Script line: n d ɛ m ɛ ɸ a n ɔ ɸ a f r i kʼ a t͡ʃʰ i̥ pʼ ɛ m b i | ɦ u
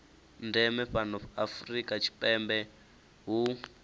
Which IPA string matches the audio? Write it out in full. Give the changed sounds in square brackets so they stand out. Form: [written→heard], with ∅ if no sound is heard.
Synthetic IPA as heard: n d ɛ m ɛ ɸ a n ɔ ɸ a f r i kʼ a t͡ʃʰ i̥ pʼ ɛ m b [i→ɛ] | ɦ u